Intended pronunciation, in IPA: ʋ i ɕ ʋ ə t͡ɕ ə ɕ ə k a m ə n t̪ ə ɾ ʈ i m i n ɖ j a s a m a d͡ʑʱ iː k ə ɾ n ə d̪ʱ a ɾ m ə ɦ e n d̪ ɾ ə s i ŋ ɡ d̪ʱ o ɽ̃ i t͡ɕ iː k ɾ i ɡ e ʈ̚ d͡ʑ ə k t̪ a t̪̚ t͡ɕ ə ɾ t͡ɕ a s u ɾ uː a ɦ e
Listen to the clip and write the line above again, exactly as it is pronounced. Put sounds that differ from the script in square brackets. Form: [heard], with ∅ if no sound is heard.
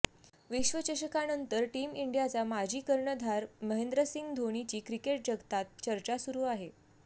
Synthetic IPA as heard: ʋ i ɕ ʋ ə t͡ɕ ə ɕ ə k a [n] ə n t̪ ə ɾ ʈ i m i [ɳ] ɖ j a [t͡s] a m a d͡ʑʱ iː k ə ɾ [ɳ] ə d̪ʱ a ɾ m ə ɦ e n d̪ ɾ ə s i ŋ ɡ d̪ʱ o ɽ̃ i t͡ɕ iː k ɾ i [k] e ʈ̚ d͡ʑ ə [ɡ] t̪ a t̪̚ t͡ɕ ə ɾ t͡ɕ a s u ɾ uː a ɦ e